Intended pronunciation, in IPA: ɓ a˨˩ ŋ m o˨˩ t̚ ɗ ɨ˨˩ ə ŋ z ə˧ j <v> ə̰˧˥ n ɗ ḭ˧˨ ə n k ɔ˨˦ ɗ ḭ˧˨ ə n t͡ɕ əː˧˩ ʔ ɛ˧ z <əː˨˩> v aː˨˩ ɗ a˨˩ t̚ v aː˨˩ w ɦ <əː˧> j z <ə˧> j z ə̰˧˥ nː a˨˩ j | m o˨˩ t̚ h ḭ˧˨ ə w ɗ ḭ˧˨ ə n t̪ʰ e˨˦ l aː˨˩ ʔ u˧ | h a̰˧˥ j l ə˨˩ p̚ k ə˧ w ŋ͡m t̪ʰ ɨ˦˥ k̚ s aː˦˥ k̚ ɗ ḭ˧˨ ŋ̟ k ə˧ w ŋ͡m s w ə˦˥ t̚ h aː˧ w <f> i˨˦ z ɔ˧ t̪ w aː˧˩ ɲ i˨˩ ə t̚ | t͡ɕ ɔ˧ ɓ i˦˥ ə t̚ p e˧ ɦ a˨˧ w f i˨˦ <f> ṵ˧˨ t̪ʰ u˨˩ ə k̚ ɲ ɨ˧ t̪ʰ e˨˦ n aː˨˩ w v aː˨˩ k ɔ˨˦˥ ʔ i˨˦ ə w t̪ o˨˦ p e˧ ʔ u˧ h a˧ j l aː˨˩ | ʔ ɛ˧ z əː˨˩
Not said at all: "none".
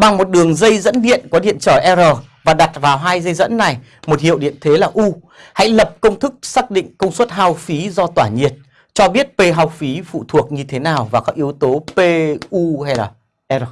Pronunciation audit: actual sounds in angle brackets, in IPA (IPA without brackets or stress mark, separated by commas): z, əː˨˩, aː˧, ə˧, f, f